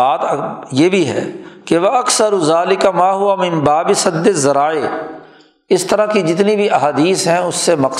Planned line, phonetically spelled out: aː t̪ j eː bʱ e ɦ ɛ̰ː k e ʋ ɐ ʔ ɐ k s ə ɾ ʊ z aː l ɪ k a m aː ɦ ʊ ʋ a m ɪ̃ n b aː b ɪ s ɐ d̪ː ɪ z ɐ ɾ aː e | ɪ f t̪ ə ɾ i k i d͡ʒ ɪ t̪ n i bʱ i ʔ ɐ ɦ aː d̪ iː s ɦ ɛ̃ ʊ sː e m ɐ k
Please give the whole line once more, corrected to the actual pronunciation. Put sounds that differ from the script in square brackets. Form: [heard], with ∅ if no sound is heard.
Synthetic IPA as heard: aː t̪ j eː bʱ [i] ɦ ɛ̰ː k e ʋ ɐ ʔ ɐ k s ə ɾ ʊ z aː l ɪ k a m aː ɦ ʊ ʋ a m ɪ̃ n b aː b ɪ s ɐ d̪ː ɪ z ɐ ɾ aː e | ɪ [s] t̪ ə ɾ [a] k i d͡ʒ ɪ t̪ n i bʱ i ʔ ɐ ɦ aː d̪ iː s ɦ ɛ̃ ʊ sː e m ɐ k